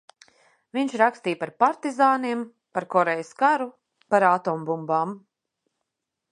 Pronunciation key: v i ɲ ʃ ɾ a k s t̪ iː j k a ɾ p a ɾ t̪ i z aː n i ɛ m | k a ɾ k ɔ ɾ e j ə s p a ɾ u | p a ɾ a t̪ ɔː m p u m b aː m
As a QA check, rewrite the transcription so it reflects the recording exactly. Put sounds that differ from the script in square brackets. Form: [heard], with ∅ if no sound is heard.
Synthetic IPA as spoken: v i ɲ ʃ ɾ a k s t̪ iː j [p] a ɾ p a ɾ t̪ i z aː n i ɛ m | [p] a ɾ k ɔ ɾ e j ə s [k] a ɾ u | p a ɾ a t̪ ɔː m [b] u m b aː m